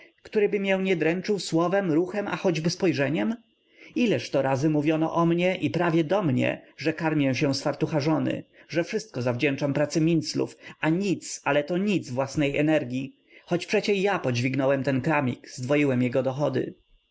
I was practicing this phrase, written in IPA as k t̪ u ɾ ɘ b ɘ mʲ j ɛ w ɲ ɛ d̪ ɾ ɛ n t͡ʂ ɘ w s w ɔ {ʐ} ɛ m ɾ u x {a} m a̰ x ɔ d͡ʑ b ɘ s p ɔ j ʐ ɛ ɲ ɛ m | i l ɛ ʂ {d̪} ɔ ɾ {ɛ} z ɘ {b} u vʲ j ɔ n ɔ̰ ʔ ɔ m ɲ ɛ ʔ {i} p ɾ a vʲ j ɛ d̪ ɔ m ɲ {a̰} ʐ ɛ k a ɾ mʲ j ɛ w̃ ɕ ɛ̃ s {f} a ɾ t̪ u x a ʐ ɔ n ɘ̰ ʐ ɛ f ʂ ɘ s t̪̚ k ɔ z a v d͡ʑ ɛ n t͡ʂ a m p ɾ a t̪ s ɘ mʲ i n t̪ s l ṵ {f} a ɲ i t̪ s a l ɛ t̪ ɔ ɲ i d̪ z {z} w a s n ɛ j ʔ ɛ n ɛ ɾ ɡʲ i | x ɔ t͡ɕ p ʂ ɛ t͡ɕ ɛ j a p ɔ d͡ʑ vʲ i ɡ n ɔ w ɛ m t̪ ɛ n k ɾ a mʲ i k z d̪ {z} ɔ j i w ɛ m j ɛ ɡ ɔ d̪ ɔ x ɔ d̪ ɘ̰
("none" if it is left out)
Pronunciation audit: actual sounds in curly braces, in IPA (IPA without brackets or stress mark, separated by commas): v, ɛ, t̪, a, m, i, ɛ̰, f, f, v, v